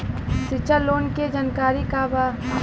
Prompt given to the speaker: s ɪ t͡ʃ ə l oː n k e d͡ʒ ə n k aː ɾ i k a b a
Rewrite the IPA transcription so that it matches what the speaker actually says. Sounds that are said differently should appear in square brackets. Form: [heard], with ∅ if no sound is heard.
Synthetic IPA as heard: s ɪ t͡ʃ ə l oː n k e d͡ʒ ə n k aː ɾ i k a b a